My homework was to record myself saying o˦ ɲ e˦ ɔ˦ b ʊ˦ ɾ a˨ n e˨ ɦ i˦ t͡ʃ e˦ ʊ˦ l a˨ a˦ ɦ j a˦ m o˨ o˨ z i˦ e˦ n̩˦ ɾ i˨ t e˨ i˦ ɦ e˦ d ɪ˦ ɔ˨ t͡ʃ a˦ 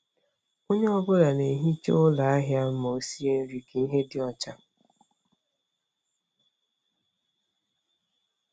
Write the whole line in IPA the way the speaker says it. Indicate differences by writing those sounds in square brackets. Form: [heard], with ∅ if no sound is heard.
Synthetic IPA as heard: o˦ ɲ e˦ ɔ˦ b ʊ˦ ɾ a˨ n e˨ ɦ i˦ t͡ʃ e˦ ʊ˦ l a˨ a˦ ɦ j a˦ m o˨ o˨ [s] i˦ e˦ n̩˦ ɾ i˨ [k] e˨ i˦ ɦ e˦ d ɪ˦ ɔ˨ t͡ʃ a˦